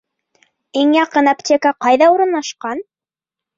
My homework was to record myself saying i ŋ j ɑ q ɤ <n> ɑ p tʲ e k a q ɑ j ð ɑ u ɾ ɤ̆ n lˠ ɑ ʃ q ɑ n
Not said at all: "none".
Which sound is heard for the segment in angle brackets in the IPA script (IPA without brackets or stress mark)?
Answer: n